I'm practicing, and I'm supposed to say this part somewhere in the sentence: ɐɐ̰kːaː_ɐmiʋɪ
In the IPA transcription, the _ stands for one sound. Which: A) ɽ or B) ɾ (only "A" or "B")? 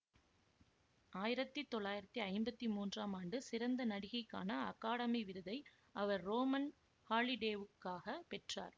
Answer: A